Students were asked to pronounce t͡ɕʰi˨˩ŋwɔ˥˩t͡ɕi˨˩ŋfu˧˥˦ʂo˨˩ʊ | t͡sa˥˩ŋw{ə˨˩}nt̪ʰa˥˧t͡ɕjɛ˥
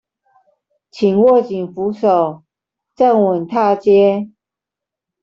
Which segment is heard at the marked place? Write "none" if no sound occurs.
ə˨˩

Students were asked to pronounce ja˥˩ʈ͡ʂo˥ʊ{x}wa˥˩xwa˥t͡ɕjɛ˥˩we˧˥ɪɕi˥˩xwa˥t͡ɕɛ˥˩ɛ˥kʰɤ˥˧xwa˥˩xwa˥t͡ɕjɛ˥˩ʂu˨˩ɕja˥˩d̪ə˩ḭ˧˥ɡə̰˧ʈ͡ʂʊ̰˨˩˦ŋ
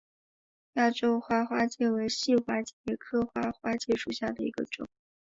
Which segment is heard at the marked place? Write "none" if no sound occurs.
x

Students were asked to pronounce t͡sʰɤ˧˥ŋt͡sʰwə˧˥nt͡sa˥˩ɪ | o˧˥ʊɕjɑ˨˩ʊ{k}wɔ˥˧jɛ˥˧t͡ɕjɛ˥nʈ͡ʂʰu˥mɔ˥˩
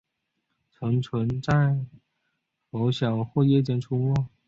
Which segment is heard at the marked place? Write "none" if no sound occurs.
x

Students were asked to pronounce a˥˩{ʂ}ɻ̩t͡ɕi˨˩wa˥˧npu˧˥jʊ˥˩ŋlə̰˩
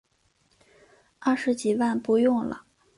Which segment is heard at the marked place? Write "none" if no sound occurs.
ʂ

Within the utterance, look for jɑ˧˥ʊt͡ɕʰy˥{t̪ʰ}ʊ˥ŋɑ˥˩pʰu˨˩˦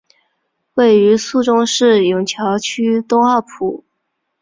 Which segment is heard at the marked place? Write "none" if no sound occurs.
t̪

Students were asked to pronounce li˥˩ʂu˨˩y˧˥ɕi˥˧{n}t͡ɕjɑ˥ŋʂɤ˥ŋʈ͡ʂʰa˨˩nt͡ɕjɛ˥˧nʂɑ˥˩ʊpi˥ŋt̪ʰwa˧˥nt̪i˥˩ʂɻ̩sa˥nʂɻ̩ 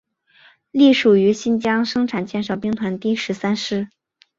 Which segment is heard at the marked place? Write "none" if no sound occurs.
n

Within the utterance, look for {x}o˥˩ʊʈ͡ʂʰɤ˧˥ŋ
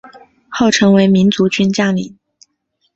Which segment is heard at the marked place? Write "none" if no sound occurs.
x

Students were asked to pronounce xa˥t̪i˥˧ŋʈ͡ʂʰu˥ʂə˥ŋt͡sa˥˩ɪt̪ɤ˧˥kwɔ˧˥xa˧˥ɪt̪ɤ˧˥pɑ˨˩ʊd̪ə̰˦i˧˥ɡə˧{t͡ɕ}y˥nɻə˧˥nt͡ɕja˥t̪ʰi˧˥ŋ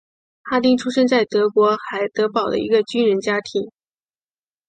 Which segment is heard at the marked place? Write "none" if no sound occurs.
t͡ɕ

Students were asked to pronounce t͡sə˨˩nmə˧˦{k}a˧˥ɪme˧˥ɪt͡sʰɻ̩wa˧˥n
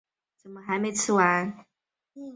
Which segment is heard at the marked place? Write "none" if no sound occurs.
x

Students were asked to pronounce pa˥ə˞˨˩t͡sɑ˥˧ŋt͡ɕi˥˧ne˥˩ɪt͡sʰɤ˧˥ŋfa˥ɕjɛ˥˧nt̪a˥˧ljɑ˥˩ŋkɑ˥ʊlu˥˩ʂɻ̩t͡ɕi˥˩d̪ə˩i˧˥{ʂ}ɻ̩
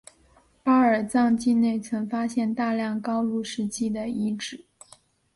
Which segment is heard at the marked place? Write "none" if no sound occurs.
ʈ͡ʂ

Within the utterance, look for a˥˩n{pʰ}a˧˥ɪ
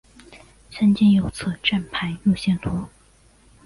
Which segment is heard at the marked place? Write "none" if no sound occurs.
pʰ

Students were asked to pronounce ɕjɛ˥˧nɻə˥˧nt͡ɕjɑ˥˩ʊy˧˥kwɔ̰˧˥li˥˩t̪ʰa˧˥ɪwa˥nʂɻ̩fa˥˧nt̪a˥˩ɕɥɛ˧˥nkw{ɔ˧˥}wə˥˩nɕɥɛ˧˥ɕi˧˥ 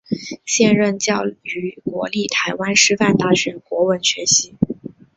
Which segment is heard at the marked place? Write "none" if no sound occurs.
ɔ˧˥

